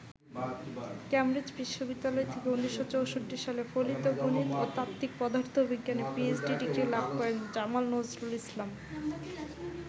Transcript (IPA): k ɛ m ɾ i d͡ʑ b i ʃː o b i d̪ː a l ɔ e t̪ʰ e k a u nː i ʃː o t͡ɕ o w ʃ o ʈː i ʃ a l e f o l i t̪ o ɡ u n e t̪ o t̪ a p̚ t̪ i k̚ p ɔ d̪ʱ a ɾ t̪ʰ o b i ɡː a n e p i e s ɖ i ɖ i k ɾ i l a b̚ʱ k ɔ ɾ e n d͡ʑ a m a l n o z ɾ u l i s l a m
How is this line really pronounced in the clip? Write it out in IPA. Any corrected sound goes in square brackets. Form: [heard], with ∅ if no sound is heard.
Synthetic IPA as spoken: k ɛ m ɾ i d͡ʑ b i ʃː o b i d̪ː a l ɔ e t̪ʰ e k [e] u nː i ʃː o t͡ɕ o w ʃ o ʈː i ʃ a l e f o l i t̪ o ɡ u n [i] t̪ o t̪ a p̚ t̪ i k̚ p ɔ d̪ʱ a ɾ t̪ʰ o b i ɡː a n e p i e s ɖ i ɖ i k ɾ i l a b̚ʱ k ɔ ɾ e n d͡ʑ a m a l n o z ɾ u l i s l a m